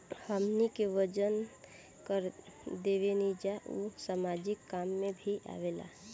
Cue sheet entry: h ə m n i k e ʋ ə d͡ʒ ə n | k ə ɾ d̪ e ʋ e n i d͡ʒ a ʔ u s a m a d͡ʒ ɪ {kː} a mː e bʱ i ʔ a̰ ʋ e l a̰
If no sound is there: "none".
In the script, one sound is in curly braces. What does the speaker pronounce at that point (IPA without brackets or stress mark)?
kː